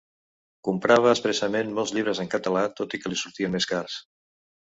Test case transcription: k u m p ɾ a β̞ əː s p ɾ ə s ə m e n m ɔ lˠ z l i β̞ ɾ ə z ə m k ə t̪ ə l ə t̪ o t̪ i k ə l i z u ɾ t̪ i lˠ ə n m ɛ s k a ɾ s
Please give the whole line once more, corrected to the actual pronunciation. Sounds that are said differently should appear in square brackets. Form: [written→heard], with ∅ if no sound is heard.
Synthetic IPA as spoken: k u m p ɾ a β̞ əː s p ɾ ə s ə m e n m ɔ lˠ z [l→ʎ] i β̞ ɾ ə z ə [m→ŋ] k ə t̪ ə l [ə→a] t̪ o t̪ i k ə l i [z→s] u ɾ t̪ i [lˠ→∅] ə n m [ɛ→e] s k a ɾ s

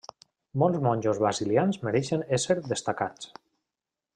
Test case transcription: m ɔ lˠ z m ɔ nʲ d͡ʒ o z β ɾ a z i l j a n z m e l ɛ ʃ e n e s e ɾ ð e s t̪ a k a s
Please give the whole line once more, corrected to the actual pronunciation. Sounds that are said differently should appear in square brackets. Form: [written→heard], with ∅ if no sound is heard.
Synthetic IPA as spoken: m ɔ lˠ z m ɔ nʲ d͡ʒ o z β ɾ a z i l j a n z m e [l→ɾ] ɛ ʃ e n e s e ɾ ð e s t̪ a k a [s→t͡s]

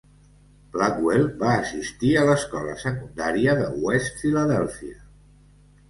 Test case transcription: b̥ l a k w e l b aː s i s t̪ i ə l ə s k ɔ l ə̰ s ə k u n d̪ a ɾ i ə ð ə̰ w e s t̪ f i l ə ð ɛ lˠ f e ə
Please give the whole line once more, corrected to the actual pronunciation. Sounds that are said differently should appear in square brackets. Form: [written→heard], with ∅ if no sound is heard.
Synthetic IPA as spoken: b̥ l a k w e l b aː s i s t̪ i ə l ə s k ɔ l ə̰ s ə k u n d̪ a ɾ i ə ð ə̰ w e s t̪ f i l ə ð ɛ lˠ f [e→i] ə

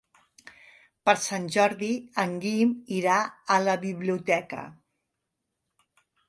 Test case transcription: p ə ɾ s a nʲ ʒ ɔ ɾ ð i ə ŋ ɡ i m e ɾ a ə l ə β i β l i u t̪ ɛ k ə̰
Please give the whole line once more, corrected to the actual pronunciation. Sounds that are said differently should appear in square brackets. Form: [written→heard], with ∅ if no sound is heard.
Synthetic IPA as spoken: p ə ɾ s a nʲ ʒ ɔ ɾ ð i ə ŋ ɡ i m [e→i] ɾ a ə l ə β i β l i u t̪ ɛ k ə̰

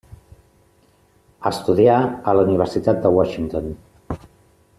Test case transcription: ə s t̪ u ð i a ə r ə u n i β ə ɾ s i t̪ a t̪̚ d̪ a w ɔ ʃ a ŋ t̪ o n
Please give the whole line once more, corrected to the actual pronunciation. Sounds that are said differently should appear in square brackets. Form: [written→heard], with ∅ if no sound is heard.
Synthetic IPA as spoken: ə s t̪ u ð i a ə [r→l] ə u n i β ə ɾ s i t̪ a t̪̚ d̪ [a→ə] w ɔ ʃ [a→i] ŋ t̪ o n

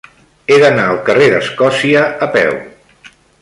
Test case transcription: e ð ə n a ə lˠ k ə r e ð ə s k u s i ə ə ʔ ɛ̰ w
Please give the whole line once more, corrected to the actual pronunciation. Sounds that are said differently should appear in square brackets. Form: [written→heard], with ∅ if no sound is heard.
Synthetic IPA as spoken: e ð ə n a ə lˠ k ə r e ð ə s k [u→ɔ] s i ə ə [ʔ→p] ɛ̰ w

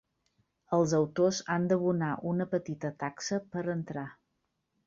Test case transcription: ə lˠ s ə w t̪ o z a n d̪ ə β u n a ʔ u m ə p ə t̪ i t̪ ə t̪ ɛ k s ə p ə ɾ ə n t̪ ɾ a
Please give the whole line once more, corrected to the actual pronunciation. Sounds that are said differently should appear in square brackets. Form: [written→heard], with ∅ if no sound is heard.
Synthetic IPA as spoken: ə lˠ [s→z] ə w t̪ o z a n d̪ ə β u n a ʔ u [m→n] ə p ə t̪ i t̪ ə t̪ [ɛ→a] k s ə p ə ɾ ə n t̪ ɾ a

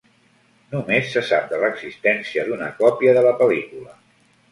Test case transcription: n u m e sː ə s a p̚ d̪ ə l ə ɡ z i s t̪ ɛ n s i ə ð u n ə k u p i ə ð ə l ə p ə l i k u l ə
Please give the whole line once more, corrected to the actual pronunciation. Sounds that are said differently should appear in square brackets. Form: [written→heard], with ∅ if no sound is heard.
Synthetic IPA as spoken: n u m e sː ə s a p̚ d̪ ə l ə ɡ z i s t̪ ɛ n s i ə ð u n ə k [u→ɔ] p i ə ð ə l ə p ə l i k u l ə

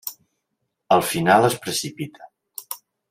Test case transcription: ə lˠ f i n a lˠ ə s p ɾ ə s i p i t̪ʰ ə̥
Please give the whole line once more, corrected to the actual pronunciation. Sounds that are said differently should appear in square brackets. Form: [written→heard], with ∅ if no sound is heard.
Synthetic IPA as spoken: ə lˠ f i n a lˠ ə s p ɾ ə s i p i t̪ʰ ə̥

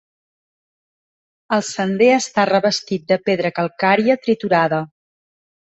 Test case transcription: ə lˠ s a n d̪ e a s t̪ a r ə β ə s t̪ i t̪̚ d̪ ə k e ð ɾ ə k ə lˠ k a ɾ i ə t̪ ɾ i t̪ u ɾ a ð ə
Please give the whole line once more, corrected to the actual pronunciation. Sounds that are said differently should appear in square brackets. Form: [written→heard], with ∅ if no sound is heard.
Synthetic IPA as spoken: ə lˠ s [a→ə] n d̪ e [a→ə] s t̪ a r ə β ə s t̪ i t̪̚ d̪ ə [k→p] e ð ɾ ə k ə lˠ k a ɾ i ə t̪ ɾ i t̪ u ɾ a ð ə

